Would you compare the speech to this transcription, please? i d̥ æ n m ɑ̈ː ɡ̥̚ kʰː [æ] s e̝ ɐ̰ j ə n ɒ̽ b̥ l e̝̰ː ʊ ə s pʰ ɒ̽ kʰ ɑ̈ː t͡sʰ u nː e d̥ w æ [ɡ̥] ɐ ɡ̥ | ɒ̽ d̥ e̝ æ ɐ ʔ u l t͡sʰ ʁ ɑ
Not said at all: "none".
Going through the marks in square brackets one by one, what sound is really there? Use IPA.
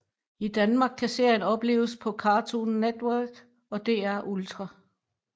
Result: æ, none

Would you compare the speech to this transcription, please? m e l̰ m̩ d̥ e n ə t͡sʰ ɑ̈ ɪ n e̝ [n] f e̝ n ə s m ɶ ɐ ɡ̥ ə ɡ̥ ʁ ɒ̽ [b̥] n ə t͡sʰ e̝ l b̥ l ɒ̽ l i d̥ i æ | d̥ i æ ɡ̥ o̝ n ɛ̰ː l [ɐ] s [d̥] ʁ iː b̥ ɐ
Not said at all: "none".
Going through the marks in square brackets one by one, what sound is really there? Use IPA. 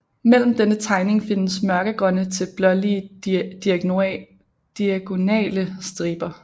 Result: ŋ, none, ə, d̥

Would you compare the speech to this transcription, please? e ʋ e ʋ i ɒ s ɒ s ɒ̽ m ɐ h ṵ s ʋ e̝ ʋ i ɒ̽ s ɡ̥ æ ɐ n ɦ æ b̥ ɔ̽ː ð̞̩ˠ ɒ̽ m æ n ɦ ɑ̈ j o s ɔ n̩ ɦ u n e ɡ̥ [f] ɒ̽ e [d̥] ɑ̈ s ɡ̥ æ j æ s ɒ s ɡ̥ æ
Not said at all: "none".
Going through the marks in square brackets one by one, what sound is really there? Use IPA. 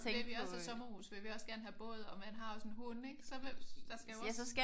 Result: s, d̥

